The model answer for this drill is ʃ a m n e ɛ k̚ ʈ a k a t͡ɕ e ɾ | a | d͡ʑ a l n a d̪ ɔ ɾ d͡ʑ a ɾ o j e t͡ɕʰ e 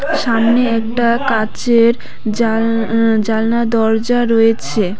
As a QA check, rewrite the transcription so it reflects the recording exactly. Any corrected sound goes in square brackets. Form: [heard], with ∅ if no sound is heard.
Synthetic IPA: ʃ a m n e ɛ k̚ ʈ a k a t͡ɕ e ɾ | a | d͡ʑ a l n a d̪ ɔ ɾ d͡ʑ a ɾ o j e t͡ɕʰ e